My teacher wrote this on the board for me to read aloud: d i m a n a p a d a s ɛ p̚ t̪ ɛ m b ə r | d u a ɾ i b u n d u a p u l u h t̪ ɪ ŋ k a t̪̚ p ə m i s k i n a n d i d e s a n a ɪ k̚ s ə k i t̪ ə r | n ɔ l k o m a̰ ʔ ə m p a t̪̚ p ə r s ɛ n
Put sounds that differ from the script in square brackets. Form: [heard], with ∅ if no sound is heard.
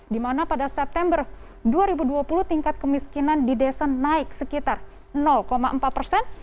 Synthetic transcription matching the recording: d i m a n a p a d a s ɛ p̚ t̪ ɛ m b ə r | d u a ɾ i b u [∅] d u a p u l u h t̪ [i] ŋ k a t̪̚ [k] ə m i s k i n a n d i d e s a n a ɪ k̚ s ə k i t̪ [a] r | n ɔ l k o m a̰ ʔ ə m p a t̪̚ p ə r s ɛ n